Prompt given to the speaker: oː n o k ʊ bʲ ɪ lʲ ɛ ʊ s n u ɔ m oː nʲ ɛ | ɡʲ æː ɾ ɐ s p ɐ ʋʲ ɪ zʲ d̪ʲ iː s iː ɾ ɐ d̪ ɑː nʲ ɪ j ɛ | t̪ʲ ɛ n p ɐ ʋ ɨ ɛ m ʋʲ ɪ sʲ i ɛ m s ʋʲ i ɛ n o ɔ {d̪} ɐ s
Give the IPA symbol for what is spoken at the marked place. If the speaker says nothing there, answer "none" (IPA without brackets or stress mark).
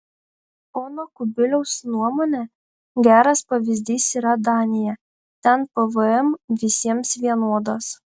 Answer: d̪